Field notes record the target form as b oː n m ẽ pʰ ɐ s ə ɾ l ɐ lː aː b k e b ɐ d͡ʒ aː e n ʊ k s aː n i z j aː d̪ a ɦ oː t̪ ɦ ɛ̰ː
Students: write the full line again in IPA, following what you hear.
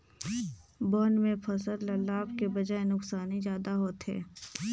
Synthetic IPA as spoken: b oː n m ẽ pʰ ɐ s ə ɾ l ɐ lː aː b k e b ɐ d͡ʒ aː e n ʊ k s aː n i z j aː d̪ a ɦ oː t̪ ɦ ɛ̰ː

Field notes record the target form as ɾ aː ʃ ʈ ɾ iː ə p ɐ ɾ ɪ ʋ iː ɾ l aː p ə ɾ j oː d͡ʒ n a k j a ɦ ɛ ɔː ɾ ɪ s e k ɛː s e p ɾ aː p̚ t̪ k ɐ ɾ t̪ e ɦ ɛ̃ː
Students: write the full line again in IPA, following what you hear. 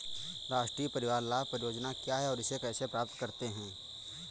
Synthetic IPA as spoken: ɾ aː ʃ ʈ ɾ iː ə p ɐ ɾ ɪ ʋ aː ɾ l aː p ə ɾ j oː d͡ʒ n a k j a ɦ ɛ ɔː ɾ ɪ s e k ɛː s e p ɾ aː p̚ t̪ k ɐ ɾ t̪ e ɦ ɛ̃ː

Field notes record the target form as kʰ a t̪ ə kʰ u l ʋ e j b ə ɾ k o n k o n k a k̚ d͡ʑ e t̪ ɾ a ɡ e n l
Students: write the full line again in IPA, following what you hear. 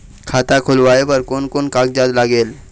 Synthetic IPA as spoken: kʰ a t̪ a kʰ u l ʋ a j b ə ɾ k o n k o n k a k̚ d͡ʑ a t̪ l a ɡ e l

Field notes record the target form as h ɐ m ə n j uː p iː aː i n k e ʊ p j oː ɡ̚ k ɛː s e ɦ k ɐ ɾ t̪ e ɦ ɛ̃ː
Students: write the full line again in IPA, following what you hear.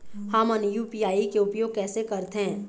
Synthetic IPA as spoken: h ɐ m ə n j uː p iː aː i k e ʊ p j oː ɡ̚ k ɛː s e k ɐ ɾ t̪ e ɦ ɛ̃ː

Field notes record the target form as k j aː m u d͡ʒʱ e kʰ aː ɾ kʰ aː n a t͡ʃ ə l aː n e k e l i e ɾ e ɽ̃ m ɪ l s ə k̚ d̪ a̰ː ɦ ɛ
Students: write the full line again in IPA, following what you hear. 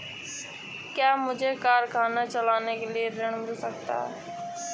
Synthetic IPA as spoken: k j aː m ʊ d͡ʒʱ e k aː ɾ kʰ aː n a t͡ʃ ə l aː n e k e l i e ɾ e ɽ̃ m ɪ l s ə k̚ t̪ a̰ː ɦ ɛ

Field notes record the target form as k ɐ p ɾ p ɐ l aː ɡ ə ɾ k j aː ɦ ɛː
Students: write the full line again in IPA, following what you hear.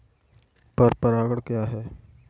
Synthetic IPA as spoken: p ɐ ɾ p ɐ ɾ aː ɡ ə ɽ k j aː ɦ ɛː

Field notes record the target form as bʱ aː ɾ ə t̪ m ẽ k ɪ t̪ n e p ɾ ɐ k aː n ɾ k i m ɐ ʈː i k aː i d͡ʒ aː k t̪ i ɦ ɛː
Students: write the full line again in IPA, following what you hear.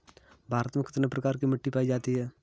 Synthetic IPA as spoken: bʱ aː ɾ ə t̪ m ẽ k ɪ t̪ n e p ɾ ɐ k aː ɾ k i m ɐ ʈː i p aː i d͡ʒ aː t̪ i ɦ ɛː

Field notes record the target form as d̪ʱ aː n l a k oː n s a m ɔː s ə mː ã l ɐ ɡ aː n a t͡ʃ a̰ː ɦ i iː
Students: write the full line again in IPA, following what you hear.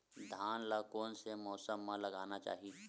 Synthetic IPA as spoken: d̪ʱ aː n l a k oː n s e m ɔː s ə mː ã l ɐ ɡ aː n a t͡ʃ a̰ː ɦ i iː

